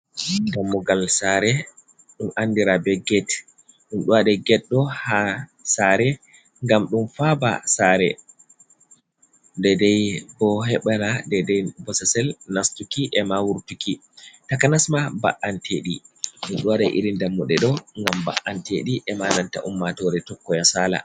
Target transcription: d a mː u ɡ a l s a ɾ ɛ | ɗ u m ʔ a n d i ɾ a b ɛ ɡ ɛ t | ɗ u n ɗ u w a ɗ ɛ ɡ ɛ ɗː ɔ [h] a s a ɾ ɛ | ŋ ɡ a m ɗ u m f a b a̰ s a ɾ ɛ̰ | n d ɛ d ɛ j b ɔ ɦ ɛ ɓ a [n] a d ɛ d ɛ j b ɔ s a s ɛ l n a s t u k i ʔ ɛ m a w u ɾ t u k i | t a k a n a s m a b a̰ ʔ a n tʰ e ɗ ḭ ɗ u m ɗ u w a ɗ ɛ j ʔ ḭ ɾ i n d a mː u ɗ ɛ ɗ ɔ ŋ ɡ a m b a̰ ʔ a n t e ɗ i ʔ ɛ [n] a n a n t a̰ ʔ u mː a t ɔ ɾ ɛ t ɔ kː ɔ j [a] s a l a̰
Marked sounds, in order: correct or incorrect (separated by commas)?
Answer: correct, correct, incorrect, correct